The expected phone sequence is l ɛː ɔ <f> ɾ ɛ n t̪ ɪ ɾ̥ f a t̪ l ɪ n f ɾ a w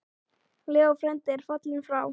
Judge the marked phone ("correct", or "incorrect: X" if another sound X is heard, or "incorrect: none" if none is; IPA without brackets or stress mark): correct